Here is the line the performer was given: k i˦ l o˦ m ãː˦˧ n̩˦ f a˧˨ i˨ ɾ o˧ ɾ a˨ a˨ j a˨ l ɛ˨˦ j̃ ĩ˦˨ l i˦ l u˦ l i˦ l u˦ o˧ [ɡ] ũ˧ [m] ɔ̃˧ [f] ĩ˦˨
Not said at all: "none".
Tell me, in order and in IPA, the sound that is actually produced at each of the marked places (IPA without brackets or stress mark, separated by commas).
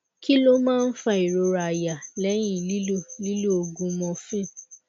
ɡ, m, f